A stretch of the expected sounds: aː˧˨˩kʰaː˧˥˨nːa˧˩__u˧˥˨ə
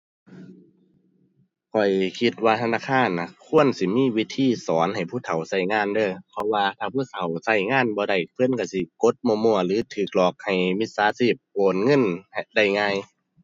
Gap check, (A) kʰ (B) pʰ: A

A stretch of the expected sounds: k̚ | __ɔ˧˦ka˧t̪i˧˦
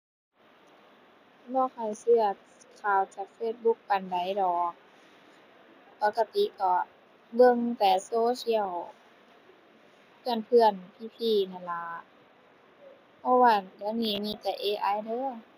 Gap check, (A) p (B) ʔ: A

